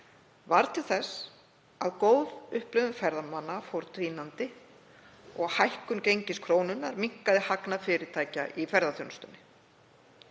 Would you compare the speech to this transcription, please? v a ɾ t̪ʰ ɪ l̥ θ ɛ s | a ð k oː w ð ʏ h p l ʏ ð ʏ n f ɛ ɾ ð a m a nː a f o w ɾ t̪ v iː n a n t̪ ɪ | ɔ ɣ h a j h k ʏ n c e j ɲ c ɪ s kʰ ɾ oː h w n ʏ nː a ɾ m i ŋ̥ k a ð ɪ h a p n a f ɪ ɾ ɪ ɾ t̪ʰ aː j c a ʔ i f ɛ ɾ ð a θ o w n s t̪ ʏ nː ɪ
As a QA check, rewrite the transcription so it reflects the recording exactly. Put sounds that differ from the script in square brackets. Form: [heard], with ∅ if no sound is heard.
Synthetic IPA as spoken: v a ɾ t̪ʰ ɪ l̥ θ ɛ s | a ð k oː w ð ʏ h p l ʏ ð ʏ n f ɛ ɾ ð a m a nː a f o w ɾ t̪ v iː n a n t̪ ɪ | ɔ ɣ h a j h k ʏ n c e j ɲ c ɪ s kʰ ɾ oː [∅] w n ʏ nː a ɾ m i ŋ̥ k a ð ɪ h a [k] n a f ɪ ɾ ɪ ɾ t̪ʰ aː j c a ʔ i f ɛ ɾ ð a θ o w n s t̪ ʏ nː ɪ